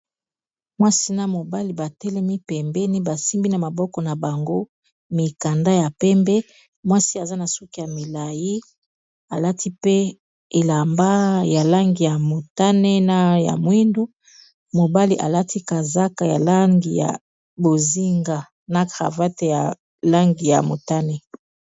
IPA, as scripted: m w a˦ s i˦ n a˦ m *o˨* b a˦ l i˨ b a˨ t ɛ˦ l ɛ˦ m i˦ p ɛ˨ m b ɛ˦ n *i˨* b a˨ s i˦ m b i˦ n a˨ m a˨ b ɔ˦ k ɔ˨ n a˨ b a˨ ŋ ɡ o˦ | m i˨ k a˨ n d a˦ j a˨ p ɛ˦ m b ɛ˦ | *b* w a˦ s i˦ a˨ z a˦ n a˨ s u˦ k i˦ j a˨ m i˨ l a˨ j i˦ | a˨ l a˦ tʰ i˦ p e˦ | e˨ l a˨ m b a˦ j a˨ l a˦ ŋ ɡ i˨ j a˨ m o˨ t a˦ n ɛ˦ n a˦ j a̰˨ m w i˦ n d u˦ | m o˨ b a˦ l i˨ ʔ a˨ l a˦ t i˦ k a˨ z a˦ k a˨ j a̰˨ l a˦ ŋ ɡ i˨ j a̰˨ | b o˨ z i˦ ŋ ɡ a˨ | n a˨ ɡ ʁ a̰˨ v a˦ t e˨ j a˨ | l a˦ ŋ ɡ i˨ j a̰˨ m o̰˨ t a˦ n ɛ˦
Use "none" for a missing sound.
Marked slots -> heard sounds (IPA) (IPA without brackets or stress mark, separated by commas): o˨, i˦, m